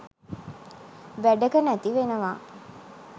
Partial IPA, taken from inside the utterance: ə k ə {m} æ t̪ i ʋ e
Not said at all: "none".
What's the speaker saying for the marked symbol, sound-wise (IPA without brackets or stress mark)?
n